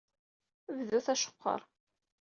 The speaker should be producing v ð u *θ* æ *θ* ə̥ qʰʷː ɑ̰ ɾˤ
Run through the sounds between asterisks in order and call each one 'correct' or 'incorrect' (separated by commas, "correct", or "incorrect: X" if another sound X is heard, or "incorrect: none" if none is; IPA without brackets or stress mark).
correct, incorrect: ʃ